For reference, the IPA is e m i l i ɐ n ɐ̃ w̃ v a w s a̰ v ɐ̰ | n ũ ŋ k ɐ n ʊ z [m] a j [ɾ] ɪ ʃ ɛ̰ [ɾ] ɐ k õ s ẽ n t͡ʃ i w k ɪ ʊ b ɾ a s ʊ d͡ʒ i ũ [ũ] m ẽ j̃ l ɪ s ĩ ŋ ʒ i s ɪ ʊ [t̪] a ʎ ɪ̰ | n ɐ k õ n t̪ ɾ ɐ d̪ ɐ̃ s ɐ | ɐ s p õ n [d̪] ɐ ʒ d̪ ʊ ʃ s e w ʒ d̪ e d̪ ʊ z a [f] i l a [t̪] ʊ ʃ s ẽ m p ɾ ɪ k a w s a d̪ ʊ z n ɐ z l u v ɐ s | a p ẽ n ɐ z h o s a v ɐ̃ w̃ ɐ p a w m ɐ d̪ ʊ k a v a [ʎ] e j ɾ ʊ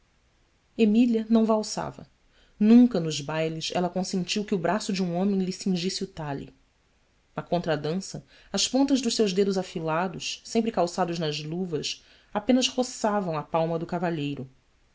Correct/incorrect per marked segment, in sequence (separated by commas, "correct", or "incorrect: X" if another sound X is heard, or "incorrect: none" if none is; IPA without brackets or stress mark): incorrect: b, incorrect: l, incorrect: l, incorrect: õ, correct, incorrect: t̪, correct, incorrect: d̪, correct